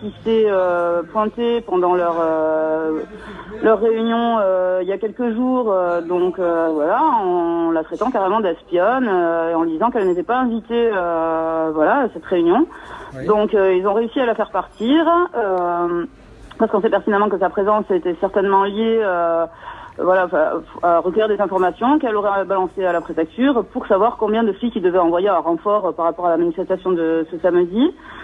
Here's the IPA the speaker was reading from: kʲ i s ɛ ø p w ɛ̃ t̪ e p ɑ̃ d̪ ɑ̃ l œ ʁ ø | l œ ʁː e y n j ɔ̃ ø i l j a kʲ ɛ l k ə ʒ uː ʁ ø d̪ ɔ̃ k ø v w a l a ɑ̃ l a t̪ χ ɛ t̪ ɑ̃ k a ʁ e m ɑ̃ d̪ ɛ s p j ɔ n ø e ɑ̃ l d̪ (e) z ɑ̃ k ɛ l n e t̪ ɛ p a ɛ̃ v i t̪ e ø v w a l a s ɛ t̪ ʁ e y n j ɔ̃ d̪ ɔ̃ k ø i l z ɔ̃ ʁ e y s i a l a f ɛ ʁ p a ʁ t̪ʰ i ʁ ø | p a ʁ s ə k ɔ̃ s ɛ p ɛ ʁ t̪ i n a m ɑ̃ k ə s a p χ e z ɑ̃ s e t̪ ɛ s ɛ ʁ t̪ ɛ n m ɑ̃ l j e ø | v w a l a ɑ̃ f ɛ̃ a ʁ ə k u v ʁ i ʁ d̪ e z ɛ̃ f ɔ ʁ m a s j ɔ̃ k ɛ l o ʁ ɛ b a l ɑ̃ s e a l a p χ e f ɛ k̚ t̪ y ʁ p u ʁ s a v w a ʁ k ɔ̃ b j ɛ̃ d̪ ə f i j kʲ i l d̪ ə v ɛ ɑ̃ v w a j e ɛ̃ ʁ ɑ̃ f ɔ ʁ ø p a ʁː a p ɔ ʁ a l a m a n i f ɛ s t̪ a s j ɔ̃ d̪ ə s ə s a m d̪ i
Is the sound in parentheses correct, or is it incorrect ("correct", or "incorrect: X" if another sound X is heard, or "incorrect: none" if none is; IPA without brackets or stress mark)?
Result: incorrect: i